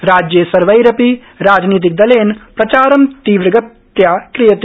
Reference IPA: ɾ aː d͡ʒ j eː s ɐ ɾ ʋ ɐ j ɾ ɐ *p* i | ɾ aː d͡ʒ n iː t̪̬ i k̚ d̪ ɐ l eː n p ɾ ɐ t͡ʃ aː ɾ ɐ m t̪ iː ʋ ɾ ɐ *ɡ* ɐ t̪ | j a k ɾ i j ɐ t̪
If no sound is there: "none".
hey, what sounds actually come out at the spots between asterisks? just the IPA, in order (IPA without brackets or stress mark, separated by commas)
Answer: p, ɡ